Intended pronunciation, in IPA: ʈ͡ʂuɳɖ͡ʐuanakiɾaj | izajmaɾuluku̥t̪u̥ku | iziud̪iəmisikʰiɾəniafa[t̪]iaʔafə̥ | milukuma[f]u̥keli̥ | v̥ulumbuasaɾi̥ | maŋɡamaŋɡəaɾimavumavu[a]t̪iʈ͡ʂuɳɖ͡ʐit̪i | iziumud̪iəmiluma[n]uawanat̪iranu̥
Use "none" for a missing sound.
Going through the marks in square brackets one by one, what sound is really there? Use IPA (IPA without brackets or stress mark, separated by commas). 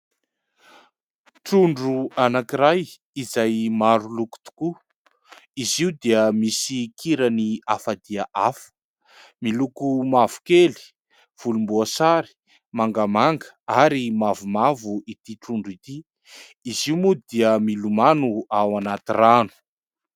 d̪, v, i, n